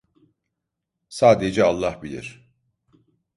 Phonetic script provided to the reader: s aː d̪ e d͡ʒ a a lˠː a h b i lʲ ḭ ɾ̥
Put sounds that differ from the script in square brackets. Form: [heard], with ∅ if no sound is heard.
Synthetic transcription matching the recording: s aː d̪ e d͡ʒ [ɛ] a lˠː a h b i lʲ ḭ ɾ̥